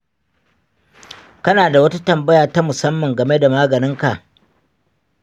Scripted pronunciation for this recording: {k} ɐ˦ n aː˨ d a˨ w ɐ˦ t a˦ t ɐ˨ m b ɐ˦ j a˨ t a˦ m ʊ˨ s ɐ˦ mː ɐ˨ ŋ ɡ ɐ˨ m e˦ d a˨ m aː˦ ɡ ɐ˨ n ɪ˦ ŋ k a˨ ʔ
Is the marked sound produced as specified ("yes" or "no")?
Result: yes